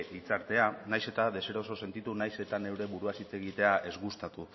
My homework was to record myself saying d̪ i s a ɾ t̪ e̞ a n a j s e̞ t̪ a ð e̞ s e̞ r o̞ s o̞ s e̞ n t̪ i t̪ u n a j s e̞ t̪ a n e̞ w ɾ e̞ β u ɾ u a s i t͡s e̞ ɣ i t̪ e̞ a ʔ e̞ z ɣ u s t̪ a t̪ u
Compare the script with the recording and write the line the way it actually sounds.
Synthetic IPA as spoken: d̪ i t͡s a ɾ t̪ e̞ a n a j s e̞ t̪ a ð e̞ s e̞ ɾ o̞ s o̞ s e̞ n t̪ i t̪ u n a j s e̞ t̪ a n e̞ w ɾ e̞ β u ɾ u a s i t͡s e̞ ɣ i t̪ e̞ a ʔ e̞ z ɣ u s t̪ a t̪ u